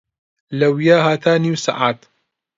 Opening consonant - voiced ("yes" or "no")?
yes